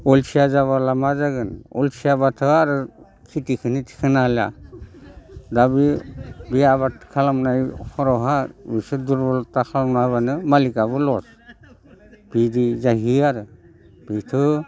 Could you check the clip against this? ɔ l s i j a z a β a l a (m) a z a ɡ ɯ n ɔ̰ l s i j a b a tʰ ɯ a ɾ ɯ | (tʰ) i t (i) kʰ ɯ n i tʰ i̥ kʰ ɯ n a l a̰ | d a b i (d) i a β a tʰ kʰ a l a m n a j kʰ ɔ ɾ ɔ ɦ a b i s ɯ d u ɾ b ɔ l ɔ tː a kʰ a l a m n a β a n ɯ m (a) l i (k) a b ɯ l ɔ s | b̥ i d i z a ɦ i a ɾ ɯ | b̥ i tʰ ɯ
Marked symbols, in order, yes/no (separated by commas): yes, no, yes, no, yes, yes